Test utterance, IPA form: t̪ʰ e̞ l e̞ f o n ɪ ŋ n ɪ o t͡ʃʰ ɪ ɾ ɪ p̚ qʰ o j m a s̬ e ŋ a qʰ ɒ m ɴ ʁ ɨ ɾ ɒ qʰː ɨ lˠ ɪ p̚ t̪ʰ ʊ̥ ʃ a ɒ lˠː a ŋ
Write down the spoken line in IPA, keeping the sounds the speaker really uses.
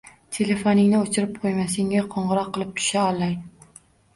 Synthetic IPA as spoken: t̪ʰ e̞ l e̞ f o n ɪ ŋ n ɪ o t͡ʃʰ ɪ ɾ ɪ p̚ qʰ o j m a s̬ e ŋ a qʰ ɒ ɴ ʁ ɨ ɾ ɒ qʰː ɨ lˠ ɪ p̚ t̪ʰ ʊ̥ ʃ a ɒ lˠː a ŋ